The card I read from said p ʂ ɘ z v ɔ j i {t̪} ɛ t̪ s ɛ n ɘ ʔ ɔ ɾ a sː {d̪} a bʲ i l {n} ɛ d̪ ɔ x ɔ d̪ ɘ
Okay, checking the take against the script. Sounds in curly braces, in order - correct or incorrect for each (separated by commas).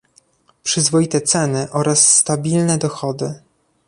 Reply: correct, incorrect, correct